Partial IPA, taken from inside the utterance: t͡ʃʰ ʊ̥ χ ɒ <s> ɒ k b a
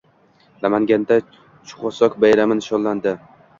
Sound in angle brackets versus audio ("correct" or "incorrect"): correct